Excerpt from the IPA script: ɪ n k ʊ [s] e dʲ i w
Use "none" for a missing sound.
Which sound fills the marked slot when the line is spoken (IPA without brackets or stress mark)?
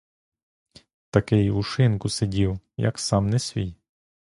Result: s